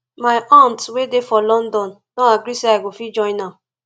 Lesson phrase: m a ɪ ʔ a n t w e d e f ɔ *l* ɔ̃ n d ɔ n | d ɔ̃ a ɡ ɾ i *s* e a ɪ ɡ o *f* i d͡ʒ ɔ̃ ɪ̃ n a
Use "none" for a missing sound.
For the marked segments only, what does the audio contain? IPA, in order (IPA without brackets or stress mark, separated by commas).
l, s, f